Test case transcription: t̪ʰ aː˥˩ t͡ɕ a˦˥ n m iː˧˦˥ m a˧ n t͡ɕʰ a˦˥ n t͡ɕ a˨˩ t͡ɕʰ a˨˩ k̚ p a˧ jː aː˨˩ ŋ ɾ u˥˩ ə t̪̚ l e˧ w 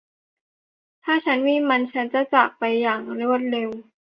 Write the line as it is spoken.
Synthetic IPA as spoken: t̪ʰ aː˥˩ t͡ɕʰ a˦˥ n m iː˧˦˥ m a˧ n t͡ɕʰ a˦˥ n t͡ɕ a˨˩ t͡ɕ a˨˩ k̚ p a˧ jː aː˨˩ ŋ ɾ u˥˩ ə t̪̚ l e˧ w